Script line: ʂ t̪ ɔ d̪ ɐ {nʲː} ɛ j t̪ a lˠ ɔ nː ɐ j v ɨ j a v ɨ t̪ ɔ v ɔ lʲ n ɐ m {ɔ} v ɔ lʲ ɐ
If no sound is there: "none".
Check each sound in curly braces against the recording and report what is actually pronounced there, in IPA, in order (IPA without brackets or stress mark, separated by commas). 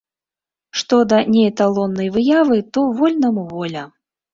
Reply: nʲ, u